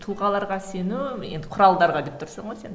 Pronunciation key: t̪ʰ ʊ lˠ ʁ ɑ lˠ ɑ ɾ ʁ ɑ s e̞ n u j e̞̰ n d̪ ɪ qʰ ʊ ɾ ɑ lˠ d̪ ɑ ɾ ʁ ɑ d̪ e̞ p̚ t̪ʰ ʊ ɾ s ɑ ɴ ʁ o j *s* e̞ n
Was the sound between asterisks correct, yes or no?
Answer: yes